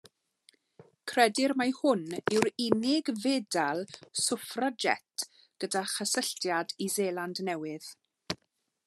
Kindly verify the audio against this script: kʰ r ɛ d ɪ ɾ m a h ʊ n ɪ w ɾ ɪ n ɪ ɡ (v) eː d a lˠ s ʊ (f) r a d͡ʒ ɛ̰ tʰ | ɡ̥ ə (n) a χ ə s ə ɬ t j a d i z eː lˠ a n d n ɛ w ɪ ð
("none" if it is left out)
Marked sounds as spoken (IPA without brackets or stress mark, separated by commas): v, f, d